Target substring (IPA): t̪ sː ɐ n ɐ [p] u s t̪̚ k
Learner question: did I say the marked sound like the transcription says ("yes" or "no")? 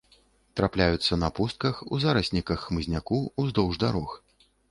yes